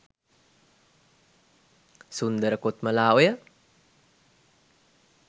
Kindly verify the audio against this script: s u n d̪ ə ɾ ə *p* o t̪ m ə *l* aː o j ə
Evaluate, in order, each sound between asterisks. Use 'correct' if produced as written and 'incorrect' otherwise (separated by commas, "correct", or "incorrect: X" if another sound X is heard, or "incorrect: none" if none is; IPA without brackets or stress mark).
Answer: incorrect: k, correct